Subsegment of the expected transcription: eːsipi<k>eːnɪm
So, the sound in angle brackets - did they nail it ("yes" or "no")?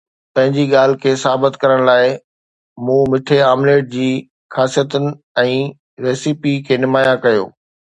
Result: no